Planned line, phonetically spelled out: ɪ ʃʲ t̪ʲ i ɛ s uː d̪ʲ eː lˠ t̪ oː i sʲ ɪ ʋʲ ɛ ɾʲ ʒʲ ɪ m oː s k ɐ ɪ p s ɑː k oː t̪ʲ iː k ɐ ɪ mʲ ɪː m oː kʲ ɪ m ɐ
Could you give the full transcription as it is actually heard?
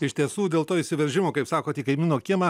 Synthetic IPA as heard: ɪ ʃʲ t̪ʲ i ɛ s uː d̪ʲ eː lˠ t̪ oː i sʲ ɪ ʋʲ ɛ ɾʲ ʒʲ ɪ m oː k ɐ ɪ p s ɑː k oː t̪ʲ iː k ɐ ɪ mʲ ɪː n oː kʲ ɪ m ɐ